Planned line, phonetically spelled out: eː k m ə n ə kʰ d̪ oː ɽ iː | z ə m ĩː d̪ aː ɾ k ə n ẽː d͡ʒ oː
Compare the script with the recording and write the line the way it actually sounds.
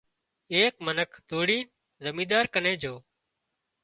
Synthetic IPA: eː k m ə n ə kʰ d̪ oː ɽ iː | z ə m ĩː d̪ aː ɾ k ə n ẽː d͡ʒ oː